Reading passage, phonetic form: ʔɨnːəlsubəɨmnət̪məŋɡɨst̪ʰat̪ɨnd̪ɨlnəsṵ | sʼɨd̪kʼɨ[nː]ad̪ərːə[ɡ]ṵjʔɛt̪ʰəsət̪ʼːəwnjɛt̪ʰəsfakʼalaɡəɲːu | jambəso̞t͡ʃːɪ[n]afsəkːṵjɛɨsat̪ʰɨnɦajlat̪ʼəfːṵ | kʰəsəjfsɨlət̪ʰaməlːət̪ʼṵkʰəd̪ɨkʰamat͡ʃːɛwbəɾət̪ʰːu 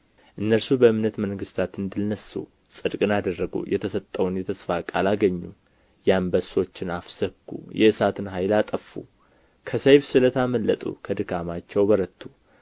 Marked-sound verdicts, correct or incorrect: incorrect: n, correct, correct

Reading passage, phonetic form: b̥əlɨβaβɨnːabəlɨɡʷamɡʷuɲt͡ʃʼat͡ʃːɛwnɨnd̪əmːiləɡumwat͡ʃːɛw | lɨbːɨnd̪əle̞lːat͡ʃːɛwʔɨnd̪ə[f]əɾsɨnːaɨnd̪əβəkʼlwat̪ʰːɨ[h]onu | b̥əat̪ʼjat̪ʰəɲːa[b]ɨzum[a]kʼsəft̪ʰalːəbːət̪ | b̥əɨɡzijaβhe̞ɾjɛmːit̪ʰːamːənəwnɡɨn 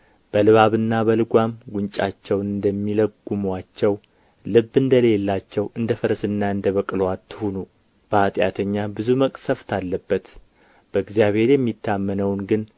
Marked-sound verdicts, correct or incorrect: correct, correct, correct, incorrect: ə

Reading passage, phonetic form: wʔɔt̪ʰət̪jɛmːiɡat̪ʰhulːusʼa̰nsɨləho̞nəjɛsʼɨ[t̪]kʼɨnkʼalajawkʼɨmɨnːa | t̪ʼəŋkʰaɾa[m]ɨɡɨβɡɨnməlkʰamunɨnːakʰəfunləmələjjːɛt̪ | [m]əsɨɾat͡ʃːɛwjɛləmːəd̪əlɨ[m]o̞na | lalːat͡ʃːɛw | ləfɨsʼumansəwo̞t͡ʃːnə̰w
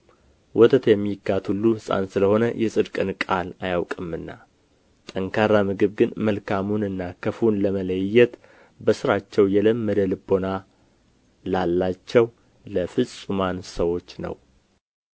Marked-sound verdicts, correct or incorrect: incorrect: d̪, correct, incorrect: b, incorrect: b

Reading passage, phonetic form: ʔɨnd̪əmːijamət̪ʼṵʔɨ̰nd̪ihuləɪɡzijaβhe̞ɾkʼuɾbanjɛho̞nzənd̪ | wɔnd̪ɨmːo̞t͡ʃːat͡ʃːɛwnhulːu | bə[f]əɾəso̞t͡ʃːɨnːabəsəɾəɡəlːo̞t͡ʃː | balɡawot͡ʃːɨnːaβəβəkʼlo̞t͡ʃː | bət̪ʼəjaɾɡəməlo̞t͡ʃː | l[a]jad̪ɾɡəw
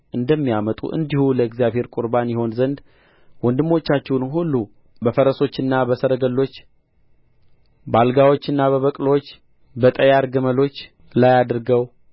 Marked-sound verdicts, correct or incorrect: correct, correct

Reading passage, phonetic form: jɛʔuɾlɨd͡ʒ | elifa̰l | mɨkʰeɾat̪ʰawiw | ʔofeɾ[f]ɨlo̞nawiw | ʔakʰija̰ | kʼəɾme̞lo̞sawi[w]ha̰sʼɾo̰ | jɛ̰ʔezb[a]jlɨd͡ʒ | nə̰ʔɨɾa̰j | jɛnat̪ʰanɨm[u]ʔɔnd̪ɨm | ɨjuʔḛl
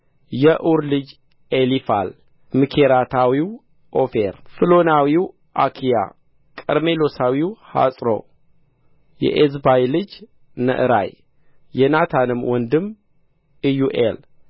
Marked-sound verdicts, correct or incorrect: correct, correct, correct, incorrect: w

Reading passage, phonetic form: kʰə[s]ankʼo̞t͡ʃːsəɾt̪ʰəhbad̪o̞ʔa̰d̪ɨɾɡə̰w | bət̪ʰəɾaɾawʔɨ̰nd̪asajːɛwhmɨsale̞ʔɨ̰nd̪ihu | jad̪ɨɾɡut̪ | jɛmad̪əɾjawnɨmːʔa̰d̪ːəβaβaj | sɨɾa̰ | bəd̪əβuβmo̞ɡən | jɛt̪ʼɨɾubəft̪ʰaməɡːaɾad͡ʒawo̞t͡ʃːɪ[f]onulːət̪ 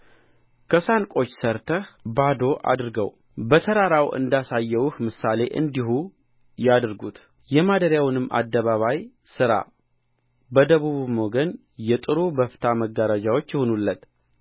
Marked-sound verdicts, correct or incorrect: correct, incorrect: h

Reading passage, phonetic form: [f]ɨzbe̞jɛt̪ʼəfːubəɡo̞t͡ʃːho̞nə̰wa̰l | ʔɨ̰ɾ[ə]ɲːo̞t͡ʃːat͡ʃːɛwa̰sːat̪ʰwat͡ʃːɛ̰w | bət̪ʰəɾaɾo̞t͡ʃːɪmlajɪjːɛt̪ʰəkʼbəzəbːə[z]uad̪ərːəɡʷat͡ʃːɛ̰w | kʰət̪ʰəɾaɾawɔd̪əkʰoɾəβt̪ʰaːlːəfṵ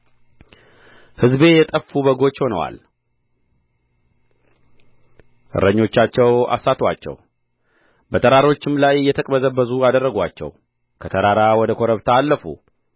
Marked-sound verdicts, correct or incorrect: incorrect: h, correct, correct

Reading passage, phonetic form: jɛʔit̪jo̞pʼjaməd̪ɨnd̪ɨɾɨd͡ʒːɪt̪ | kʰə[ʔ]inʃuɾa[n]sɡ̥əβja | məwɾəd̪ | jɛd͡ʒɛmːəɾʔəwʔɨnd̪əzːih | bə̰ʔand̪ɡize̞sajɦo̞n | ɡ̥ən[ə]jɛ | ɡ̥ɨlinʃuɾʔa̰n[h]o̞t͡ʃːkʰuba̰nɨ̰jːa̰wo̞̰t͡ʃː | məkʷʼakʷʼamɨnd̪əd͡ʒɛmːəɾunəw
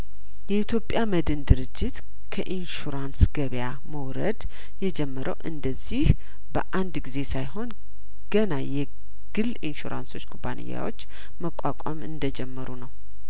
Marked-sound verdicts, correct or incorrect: correct, correct, incorrect: a, incorrect: s

